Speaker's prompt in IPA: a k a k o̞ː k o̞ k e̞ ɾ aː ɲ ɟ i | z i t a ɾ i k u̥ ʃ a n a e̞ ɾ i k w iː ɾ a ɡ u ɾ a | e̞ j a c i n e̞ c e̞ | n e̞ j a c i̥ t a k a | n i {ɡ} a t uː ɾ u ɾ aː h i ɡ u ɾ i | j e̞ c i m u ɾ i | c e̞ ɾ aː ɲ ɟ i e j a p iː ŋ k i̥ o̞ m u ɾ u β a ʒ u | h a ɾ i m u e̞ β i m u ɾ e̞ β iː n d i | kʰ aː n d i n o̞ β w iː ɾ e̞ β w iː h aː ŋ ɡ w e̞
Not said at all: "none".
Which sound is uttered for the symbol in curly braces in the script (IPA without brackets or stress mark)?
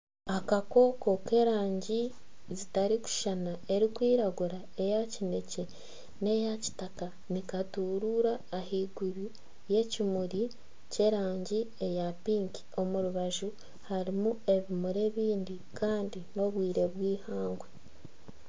k